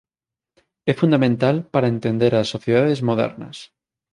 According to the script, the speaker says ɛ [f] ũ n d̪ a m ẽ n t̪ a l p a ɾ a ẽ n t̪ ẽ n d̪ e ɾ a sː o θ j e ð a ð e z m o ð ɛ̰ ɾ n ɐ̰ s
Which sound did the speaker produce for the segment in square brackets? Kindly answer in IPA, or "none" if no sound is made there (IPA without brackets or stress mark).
f